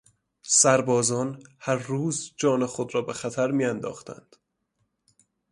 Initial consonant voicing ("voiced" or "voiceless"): voiceless